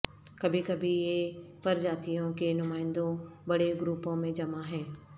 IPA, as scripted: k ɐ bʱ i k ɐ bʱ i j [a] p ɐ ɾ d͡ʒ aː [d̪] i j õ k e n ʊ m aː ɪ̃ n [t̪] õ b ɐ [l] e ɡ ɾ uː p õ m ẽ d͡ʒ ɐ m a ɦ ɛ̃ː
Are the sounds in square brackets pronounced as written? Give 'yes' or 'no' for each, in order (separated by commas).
no, no, no, no